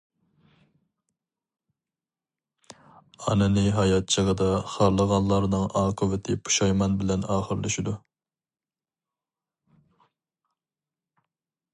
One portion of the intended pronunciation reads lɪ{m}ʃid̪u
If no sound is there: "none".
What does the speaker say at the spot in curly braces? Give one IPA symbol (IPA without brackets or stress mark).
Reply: none